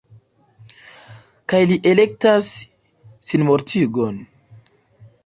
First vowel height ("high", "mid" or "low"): low